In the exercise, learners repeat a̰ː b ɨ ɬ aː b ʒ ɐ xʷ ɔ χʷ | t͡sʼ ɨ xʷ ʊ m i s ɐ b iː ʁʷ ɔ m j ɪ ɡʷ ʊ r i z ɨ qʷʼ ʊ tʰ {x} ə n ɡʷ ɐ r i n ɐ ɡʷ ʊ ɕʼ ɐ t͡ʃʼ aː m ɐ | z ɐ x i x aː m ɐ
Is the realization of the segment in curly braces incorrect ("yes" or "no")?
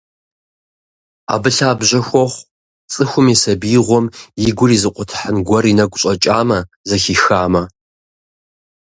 yes